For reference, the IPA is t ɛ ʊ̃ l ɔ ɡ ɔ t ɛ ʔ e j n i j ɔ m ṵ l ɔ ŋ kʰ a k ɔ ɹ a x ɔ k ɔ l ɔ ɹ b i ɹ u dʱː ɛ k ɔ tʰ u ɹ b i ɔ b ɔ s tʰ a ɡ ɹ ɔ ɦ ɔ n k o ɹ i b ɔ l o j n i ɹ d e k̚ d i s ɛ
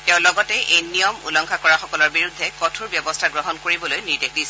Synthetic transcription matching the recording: t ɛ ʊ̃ l ɔ ɡ ɔ t ɛ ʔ e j n i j ɔ m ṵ l ɔ ŋ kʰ a k ɔ ɹ a x ɔ k ɔ l ɔ ɹ b i ɹ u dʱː ɛ k ɔ tʰ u ɹ b j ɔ b ɔ s tʰ a ɡ ɹ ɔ ɦ ɔ n k o ɹ i b ɔ l o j n i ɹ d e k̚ d i s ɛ